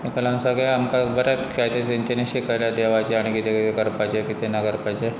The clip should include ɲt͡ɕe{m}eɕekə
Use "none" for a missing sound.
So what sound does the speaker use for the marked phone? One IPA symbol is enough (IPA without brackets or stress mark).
n